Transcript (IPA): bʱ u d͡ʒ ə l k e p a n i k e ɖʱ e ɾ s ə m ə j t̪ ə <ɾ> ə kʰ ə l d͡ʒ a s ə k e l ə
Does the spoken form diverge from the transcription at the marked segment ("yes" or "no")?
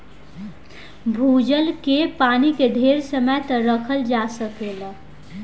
no